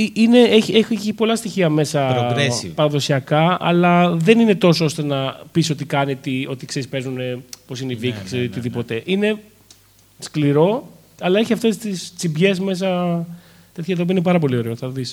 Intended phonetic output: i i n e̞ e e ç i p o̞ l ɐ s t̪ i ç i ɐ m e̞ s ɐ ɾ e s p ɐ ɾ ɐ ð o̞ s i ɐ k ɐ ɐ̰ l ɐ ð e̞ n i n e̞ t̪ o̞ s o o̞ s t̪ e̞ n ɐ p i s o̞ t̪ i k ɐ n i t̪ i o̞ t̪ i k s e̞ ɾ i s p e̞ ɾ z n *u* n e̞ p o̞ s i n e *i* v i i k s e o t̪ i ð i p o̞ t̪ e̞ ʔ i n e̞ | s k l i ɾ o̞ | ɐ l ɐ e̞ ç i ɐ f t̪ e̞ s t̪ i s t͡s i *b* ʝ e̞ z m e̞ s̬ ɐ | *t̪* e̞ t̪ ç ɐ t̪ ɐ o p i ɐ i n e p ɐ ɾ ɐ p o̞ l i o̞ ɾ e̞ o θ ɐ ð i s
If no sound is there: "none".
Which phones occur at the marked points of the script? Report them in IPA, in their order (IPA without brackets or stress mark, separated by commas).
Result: u, i, b, t̪